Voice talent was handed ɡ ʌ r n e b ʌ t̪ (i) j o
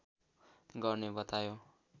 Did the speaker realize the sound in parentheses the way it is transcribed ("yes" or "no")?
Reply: no